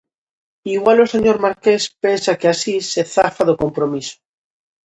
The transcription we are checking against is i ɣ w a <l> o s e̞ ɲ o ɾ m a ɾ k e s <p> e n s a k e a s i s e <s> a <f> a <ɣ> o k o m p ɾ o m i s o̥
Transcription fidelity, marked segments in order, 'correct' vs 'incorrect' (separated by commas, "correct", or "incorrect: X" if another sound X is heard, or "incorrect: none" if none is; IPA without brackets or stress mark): correct, correct, incorrect: θ, correct, incorrect: ð